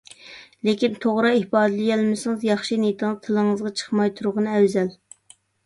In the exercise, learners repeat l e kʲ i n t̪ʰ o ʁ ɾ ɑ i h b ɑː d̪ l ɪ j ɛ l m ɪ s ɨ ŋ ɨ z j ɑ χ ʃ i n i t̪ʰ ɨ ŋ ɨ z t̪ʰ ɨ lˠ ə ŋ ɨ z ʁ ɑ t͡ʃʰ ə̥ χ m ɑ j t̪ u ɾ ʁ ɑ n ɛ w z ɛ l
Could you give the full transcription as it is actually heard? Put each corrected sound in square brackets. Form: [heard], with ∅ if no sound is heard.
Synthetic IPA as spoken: l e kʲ i n t̪ʰ o ʁ ɾ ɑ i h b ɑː d̪ l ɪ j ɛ l m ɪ s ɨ ŋ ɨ z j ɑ χ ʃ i n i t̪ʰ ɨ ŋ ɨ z t̪ʰ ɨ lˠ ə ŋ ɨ z ʁ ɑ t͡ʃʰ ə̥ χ m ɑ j [t̪ʰ] u ɾ ʁ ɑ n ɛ w z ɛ l